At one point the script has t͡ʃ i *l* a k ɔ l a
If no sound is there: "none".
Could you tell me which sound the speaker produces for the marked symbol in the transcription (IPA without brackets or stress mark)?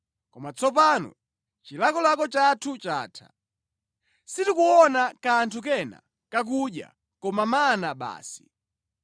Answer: l